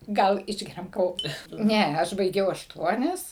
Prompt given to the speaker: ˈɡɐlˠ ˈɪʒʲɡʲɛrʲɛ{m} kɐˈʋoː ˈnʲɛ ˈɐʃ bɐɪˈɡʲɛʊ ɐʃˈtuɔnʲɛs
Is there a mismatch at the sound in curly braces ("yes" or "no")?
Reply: no